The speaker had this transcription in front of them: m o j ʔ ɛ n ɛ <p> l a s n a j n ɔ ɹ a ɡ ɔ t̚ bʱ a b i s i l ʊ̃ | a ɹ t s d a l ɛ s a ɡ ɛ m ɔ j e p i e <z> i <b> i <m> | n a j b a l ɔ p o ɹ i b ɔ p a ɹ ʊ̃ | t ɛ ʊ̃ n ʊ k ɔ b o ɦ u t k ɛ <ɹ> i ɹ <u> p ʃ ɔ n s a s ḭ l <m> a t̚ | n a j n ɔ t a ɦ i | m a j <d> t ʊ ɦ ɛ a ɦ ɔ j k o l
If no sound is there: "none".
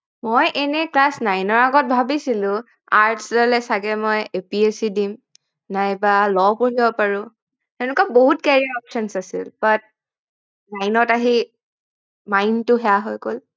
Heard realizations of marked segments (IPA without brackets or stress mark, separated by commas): k, s, d, m, ɹ, ɔ, b, n